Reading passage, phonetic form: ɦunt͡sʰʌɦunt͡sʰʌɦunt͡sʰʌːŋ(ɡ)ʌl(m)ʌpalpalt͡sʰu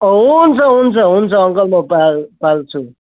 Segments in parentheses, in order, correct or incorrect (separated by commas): incorrect, correct